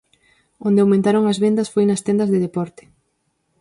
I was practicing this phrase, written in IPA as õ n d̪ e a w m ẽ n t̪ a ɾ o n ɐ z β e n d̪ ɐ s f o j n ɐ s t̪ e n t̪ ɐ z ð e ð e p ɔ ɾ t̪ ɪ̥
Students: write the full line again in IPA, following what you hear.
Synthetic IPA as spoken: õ n d̪ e a w m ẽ n t̪ a ɾ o ŋ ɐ z β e n d̪ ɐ s f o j n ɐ s t̪ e n d̪ ɐ z ð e ð e p ɔ ɾ t̪ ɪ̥